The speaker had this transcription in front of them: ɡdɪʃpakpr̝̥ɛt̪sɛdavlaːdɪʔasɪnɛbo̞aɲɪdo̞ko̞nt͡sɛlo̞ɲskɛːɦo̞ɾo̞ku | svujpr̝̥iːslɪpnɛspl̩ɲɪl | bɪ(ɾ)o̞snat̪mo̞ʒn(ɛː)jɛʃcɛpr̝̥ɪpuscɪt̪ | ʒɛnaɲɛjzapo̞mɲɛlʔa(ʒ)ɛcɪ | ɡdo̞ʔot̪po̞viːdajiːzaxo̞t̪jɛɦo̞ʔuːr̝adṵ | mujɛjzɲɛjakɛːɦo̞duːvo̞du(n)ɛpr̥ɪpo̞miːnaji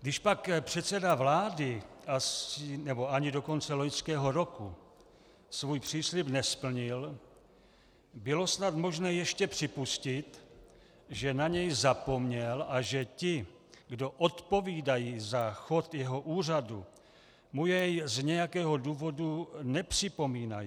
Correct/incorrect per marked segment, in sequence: incorrect: l, correct, correct, correct

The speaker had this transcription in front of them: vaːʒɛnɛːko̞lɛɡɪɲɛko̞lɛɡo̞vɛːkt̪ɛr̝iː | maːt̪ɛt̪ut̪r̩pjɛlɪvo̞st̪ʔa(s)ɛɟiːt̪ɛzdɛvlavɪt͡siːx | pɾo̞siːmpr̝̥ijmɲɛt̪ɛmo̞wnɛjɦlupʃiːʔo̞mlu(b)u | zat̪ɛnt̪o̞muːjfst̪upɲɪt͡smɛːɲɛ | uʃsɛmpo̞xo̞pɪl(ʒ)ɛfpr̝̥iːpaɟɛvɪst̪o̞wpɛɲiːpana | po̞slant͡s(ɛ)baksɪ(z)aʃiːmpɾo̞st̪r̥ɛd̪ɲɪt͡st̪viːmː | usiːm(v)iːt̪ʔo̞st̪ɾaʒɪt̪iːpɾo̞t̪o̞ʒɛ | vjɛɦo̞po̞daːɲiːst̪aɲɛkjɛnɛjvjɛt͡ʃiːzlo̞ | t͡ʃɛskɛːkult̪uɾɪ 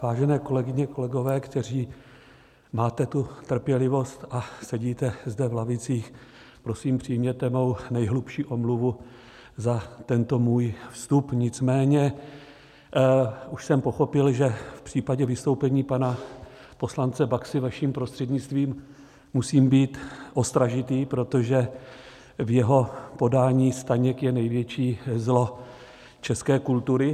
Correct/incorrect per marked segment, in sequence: correct, incorrect: v, correct, correct, incorrect: v, incorrect: b

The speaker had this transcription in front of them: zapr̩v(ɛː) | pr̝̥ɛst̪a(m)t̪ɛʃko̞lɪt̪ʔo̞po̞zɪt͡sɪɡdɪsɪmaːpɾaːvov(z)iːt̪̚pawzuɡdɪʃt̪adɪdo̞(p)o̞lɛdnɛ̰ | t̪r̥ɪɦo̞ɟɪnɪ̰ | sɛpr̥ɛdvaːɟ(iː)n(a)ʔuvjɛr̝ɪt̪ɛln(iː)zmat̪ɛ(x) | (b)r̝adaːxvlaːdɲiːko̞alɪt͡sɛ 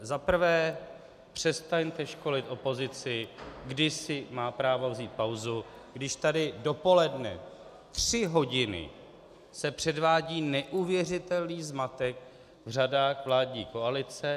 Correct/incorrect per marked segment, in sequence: correct, incorrect: ɲ, correct, correct, correct, incorrect: ɛ, correct, incorrect: k, incorrect: v

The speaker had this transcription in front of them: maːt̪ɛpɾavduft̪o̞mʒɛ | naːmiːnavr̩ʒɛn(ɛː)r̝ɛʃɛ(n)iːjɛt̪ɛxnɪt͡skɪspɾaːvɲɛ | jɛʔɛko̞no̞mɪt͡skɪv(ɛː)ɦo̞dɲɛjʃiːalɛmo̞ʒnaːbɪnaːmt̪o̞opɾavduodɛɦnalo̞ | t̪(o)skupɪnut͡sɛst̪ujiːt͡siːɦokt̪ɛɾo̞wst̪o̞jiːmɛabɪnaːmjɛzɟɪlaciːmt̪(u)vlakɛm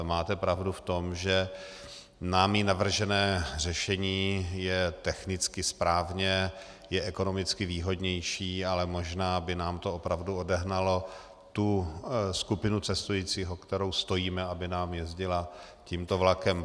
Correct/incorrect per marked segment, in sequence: correct, incorrect: ɲ, incorrect: iː, incorrect: u, incorrect: o

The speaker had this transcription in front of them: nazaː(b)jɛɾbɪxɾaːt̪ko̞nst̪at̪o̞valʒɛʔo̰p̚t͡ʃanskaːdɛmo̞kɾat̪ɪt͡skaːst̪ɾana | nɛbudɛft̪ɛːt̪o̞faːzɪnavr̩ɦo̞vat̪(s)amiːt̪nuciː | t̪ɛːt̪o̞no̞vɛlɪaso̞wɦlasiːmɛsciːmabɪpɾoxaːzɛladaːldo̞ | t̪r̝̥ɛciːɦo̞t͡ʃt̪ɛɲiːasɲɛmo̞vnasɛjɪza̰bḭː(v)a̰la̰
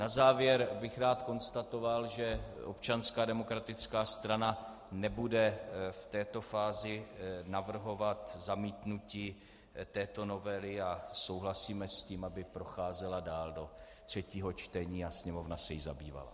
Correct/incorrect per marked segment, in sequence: incorrect: v, incorrect: z, correct

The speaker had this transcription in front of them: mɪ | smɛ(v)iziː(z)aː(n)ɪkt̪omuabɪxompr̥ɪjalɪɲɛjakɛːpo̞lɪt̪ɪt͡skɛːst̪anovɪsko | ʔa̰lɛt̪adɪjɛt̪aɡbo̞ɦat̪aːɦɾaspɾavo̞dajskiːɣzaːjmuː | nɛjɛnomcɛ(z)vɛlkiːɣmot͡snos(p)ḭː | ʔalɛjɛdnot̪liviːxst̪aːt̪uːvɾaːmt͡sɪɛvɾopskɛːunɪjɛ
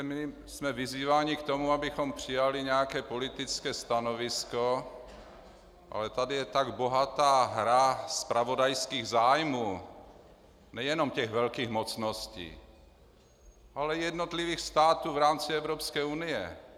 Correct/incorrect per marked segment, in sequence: correct, incorrect: v, incorrect: ɲ, incorrect: ɣ, incorrect: c

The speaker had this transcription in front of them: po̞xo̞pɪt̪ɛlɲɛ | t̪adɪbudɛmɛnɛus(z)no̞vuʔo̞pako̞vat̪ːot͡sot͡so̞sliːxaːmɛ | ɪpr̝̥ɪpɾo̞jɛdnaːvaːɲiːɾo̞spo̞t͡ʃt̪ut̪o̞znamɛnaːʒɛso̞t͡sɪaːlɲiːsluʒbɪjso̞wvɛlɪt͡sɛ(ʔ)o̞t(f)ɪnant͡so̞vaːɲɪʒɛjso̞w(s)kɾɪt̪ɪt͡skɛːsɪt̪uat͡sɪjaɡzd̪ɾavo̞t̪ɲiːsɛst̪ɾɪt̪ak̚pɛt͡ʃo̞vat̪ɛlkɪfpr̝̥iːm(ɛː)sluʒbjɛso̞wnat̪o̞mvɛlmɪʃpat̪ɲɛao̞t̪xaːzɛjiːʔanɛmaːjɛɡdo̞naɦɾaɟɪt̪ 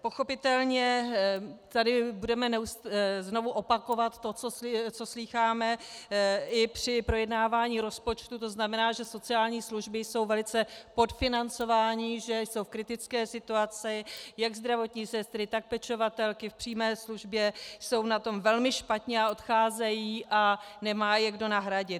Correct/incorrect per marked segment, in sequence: correct, incorrect: p, correct, incorrect: f, correct

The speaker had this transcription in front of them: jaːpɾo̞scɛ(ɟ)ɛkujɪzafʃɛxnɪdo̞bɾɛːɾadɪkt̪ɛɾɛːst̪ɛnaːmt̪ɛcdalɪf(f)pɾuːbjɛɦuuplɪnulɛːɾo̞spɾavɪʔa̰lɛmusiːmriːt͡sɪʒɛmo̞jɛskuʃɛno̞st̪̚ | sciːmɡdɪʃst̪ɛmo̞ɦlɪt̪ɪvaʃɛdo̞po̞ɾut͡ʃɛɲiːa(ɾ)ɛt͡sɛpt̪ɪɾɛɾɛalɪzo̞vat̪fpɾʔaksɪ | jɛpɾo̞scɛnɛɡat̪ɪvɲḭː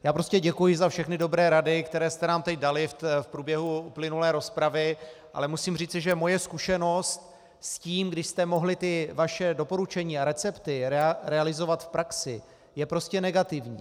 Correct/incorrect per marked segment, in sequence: correct, correct, correct

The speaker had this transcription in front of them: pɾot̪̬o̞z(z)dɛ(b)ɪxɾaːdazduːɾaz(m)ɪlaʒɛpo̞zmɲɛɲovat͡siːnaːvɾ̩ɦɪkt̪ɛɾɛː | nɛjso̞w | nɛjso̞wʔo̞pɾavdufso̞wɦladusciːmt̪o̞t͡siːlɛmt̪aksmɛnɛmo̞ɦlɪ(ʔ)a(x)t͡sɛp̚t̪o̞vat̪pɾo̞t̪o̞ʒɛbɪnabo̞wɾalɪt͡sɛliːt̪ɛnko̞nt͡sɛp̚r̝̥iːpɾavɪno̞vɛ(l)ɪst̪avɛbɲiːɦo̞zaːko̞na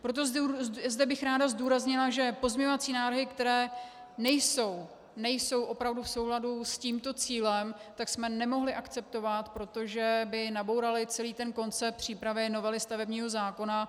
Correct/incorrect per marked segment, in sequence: correct, correct, incorrect: ɲ, correct, incorrect: k, correct

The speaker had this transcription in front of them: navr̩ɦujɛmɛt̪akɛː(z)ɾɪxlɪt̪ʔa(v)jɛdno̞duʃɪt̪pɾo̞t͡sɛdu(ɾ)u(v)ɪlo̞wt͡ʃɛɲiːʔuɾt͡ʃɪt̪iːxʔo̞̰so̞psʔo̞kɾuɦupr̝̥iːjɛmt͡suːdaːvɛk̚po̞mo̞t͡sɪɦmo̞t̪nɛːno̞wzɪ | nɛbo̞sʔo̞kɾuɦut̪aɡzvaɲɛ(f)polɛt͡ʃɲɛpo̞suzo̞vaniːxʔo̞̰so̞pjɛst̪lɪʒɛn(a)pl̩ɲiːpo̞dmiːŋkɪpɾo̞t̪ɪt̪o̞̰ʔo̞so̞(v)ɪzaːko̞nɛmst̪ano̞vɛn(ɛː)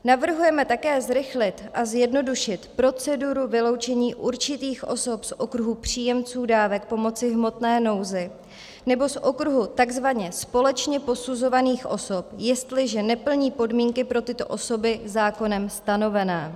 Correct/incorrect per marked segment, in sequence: correct, incorrect: z, correct, correct, incorrect: s, incorrect: ɛ, incorrect: b, correct

